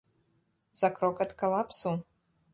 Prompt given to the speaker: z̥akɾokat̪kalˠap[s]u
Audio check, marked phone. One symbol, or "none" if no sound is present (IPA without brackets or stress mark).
s